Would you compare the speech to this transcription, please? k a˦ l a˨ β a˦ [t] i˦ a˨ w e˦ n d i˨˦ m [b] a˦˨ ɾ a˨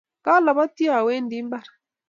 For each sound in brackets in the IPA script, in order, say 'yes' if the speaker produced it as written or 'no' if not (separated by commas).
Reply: yes, yes